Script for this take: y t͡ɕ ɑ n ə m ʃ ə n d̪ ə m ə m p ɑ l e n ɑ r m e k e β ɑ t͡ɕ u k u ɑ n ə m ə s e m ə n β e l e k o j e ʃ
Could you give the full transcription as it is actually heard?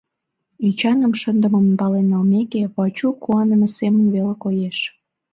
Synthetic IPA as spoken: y t͡ɕ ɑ n ə m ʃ ə n d̪ ə m ə m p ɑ l e n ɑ l m e k e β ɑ t͡ɕ u k u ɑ n ə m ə s e m ə n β e l e k o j e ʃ